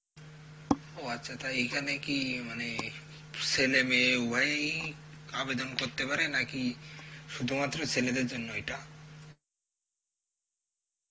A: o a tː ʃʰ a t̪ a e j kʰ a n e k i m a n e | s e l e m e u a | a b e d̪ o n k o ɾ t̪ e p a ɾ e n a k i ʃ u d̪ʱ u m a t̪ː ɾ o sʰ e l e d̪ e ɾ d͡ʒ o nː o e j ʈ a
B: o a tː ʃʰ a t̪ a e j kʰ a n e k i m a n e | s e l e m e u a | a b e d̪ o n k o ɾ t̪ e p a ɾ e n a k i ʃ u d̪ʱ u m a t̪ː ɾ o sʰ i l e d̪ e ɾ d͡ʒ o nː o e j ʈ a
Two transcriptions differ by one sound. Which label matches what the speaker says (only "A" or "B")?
A